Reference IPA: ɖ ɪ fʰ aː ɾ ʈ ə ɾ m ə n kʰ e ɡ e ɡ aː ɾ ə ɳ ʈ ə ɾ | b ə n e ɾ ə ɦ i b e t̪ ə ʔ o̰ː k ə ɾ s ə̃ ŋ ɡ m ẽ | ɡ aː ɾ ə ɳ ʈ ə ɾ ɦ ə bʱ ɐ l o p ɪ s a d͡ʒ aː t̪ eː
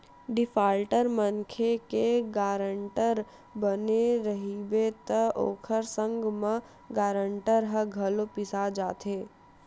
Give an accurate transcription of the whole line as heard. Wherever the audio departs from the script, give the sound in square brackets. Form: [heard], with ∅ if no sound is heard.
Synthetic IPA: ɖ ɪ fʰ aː [l] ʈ ə ɾ m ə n kʰ e [k] e ɡ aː ɾ ə ɳ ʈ ə ɾ | b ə n e ɾ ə ɦ i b e t̪ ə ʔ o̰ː [kʰ] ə ɾ s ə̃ ŋ ɡ m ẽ | ɡ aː ɾ ə ɳ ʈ ə ɾ ɦ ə [ɡʱ] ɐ l o p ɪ s a d͡ʒ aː t̪ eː